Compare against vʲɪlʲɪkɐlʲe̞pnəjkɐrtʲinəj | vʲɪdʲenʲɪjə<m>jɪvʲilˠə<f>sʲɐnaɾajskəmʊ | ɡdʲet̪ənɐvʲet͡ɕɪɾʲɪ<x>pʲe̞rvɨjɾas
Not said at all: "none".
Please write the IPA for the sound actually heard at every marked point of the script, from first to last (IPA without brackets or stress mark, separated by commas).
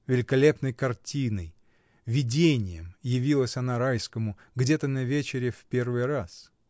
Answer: m, none, f